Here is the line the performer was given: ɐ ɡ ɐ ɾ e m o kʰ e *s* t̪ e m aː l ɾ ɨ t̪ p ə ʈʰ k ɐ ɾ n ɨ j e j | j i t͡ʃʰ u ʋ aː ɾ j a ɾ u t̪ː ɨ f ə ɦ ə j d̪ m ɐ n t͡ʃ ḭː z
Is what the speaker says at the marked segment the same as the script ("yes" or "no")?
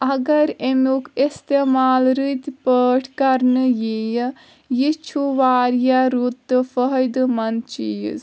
yes